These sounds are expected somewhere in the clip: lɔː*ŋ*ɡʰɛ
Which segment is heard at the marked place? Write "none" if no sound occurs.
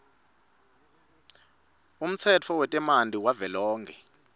ŋ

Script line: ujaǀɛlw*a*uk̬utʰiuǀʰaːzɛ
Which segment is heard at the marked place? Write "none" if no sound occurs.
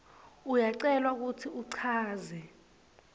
a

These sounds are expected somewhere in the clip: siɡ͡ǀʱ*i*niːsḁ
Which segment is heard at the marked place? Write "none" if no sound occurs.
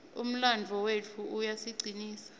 i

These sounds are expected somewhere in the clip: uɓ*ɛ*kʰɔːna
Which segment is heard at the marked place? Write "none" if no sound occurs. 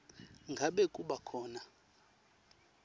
a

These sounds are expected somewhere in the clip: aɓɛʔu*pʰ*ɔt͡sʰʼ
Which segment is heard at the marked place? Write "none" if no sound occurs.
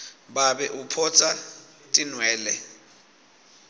pʰ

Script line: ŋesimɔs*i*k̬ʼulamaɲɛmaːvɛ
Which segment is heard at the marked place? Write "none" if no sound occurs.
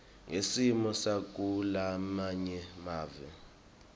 a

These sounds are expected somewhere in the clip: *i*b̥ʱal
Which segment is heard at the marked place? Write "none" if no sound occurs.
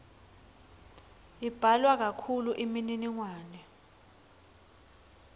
i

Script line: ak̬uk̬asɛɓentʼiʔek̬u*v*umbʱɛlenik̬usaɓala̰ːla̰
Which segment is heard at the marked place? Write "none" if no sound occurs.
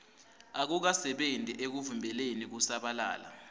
v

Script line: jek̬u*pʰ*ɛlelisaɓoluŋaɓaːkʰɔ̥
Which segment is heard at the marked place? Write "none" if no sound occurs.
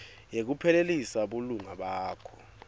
pʰ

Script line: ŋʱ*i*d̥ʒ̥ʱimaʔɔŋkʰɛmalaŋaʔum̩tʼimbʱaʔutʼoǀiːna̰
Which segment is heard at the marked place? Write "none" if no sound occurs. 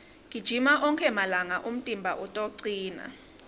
i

